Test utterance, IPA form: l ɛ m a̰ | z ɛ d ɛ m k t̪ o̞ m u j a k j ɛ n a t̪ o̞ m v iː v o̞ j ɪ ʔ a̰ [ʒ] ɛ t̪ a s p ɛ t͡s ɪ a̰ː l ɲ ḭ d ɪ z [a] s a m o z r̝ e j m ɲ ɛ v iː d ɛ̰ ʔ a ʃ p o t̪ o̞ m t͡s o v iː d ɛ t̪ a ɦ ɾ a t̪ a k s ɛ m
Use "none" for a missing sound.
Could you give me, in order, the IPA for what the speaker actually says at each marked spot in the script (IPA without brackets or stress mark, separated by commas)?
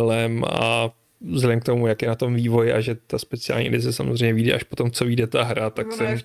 ʒ, ɛ